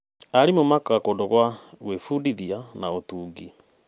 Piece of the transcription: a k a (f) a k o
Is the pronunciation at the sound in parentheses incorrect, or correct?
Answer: incorrect